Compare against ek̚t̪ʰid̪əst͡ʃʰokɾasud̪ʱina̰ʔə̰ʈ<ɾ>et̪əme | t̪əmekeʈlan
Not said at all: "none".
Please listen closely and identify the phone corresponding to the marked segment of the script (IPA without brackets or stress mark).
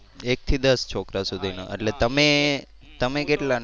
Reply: l